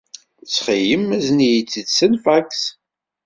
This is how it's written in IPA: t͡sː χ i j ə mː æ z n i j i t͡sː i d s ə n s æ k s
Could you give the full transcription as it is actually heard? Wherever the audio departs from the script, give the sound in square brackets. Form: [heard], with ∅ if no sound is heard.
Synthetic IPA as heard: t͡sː χ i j ə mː æ z n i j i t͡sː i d s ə n [f] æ k s